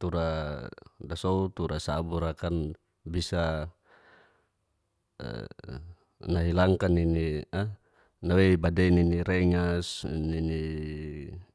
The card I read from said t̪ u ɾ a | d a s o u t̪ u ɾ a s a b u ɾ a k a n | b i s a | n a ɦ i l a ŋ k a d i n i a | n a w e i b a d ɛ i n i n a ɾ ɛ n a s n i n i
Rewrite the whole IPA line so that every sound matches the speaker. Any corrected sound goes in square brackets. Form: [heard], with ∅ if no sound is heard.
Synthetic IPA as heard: t̪ u ɾ a | d a s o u t̪ u ɾ a s a b u ɾ a k a n | b i s a | n a ɦ i l a ŋ k a [n] i n i a | n a w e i b a d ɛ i n i n [i] ɾ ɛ [ŋ] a s n i n i